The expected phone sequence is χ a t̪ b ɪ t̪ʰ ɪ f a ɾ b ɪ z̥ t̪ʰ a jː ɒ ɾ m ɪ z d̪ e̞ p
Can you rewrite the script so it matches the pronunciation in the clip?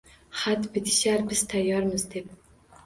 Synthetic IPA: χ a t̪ b ɪ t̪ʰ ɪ ʃ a ɾ b ɪ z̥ t̪ʰ a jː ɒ ɾ m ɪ z d̪ e̞ p